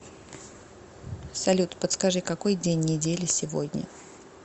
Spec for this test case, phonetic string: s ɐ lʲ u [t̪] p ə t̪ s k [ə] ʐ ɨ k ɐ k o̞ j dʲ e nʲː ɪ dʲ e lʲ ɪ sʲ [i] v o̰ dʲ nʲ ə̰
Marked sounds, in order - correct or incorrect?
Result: correct, incorrect: ɐ, incorrect: ɪ

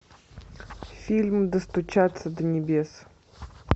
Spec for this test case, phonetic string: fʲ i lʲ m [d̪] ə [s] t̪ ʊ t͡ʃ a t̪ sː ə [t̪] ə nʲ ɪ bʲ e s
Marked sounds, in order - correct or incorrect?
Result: correct, correct, incorrect: d̪

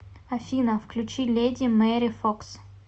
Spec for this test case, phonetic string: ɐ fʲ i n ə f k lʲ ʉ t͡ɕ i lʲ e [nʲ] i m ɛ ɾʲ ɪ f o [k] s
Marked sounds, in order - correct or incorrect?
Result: incorrect: dʲ, correct

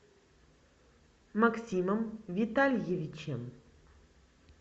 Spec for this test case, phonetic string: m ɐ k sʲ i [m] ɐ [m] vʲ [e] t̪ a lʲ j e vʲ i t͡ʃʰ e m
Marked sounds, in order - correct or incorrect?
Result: correct, correct, incorrect: i

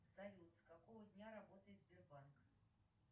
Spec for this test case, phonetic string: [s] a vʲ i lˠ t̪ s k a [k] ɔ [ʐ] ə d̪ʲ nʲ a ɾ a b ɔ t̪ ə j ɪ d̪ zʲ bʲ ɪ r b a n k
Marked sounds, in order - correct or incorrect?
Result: incorrect: z, correct, incorrect: v

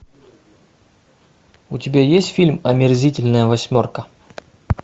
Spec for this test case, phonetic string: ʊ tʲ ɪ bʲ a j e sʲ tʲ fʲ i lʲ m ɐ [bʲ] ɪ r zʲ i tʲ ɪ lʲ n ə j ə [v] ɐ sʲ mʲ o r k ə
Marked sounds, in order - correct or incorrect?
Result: incorrect: mʲ, correct

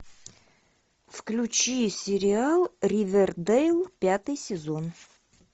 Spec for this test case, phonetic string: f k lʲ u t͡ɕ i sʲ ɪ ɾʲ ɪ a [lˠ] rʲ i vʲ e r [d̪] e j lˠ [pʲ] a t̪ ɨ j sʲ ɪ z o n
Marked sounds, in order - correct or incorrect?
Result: correct, correct, correct

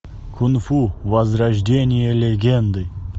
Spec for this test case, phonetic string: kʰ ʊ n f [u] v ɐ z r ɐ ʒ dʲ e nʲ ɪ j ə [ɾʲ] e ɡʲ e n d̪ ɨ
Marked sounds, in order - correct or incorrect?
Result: correct, incorrect: lʲ

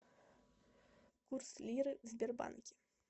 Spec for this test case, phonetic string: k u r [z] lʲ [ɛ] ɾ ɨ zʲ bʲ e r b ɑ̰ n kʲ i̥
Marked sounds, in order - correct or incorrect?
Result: incorrect: s, incorrect: i

